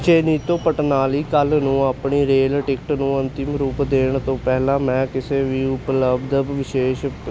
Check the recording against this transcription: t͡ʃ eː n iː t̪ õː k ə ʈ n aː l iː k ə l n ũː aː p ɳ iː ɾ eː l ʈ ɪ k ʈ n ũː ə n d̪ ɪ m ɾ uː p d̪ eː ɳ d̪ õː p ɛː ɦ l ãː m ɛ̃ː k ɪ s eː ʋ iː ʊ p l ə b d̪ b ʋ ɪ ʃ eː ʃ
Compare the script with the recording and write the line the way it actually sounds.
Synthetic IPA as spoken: t͡ʃ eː n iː t̪ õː p ə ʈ n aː l iː k ə l n ũː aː p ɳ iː ɾ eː l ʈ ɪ k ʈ n ũː ə n t̪ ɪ m ɾ uː p d̪ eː ɳ t̪ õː p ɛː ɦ l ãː m ɛ̃ː k ɪ s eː ʋ iː ʊ p l ə b d̪ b ʋ ɪ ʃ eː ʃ